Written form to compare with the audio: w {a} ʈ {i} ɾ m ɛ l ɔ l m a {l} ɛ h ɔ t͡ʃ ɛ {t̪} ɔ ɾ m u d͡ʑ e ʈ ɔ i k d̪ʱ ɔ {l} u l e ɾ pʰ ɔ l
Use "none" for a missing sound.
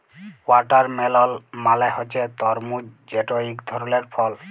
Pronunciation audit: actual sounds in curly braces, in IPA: a, a, l, t̪, ɾ

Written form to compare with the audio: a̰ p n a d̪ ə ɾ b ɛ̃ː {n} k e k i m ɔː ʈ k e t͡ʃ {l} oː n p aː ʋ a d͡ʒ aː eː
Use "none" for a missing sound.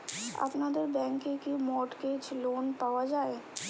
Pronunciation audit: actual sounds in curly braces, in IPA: ŋ, l

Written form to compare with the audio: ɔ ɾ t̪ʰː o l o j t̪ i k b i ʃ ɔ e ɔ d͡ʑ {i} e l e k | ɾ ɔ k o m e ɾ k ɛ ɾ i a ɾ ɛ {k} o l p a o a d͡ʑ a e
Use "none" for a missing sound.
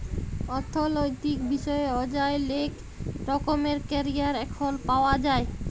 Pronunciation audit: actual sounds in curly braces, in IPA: a, kʰ

